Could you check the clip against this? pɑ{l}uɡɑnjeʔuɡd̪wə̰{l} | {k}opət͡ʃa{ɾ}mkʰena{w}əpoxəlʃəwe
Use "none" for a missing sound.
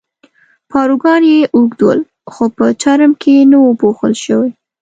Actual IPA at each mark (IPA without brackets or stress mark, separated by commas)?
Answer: ɾ, l, x, ɾ, w